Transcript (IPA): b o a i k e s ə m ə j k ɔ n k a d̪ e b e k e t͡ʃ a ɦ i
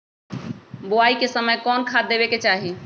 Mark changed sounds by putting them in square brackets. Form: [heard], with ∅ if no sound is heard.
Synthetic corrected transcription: b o a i k e s ə m ə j k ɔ n [kʰ] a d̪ e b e k e t͡ʃ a ɦ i